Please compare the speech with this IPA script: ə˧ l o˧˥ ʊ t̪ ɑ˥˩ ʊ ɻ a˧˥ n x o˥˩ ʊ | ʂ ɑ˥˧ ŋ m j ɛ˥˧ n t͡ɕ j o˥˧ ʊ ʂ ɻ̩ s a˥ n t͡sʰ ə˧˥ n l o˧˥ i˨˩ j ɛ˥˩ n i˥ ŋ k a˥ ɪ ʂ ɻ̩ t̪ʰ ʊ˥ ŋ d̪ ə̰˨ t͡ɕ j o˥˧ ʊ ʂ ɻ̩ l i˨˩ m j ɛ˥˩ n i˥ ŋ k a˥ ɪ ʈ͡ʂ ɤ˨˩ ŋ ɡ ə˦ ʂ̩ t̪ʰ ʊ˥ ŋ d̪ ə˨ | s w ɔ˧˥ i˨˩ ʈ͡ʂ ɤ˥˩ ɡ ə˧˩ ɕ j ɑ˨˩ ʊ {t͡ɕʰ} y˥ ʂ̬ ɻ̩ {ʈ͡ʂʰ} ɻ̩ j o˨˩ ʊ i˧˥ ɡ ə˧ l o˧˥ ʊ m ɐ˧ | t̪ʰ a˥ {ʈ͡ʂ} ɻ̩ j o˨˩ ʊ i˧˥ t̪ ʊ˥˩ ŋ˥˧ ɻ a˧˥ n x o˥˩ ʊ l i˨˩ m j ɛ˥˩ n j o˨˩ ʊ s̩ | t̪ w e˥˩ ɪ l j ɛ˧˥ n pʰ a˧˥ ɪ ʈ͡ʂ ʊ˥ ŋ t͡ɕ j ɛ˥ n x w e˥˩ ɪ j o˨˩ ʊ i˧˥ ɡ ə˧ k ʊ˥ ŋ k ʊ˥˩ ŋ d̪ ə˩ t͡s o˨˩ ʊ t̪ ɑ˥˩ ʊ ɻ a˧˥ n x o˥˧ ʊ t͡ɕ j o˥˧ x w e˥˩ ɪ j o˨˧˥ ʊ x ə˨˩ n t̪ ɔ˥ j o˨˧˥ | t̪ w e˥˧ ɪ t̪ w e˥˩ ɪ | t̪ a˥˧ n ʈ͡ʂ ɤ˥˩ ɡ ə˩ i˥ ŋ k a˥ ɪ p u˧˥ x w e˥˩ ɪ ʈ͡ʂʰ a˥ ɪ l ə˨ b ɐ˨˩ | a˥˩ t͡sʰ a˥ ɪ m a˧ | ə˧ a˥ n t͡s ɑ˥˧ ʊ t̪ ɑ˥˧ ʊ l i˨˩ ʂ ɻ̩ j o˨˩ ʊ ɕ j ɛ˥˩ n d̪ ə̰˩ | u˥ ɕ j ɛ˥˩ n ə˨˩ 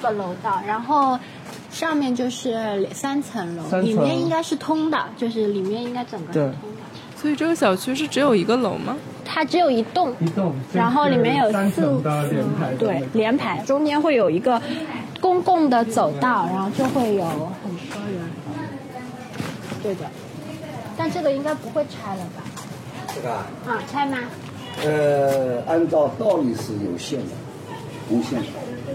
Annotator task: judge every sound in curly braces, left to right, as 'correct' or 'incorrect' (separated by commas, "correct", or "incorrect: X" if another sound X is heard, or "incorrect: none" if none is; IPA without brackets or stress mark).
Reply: correct, incorrect: ʈ͡ʂ, correct